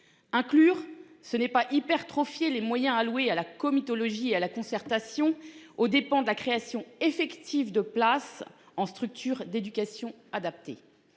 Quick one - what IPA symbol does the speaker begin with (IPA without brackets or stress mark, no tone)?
ɛ̃